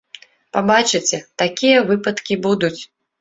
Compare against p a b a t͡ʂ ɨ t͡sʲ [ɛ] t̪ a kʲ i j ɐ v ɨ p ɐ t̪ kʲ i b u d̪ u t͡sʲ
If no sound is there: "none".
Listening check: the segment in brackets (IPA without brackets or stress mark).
ɛ